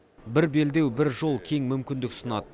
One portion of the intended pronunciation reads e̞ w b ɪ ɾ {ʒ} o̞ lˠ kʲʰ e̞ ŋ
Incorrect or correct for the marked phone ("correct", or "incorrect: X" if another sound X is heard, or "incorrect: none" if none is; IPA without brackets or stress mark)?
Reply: correct